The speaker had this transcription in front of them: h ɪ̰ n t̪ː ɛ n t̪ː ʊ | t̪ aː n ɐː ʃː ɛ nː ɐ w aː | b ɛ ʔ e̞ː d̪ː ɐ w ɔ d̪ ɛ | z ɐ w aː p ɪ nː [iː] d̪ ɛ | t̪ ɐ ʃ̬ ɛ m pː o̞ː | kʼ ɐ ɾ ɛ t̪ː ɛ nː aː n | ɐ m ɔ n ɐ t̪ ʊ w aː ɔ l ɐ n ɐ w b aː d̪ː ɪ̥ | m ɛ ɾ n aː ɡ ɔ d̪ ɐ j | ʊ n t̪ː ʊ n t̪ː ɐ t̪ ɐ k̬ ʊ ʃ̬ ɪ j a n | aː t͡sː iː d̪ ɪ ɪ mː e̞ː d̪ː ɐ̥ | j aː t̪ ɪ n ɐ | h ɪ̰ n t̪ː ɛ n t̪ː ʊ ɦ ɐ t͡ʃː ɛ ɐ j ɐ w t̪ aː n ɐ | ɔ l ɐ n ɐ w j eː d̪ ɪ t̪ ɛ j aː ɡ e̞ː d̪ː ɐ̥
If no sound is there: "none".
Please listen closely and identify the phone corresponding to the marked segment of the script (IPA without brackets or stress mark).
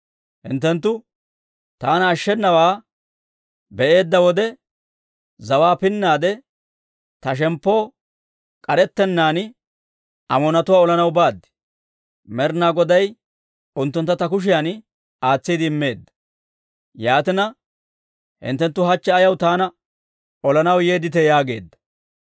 aː